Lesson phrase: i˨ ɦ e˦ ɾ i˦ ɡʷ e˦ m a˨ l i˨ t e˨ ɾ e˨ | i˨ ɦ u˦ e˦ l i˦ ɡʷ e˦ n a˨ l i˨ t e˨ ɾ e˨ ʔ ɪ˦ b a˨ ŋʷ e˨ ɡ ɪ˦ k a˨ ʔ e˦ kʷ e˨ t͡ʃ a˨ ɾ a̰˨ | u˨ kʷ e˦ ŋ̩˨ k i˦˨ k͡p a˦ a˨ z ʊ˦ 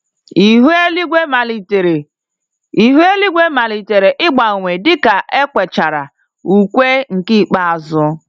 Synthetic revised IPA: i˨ ɦ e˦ l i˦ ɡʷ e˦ m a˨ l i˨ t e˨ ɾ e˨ | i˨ ɦ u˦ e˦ l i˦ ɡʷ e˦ m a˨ l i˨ t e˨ ɾ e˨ ʔ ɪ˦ ɡ͡b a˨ ŋʷ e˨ d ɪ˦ k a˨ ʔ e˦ kʷ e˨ t͡ʃ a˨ ɾ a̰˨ | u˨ kʷ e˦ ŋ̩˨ k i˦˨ k͡p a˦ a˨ z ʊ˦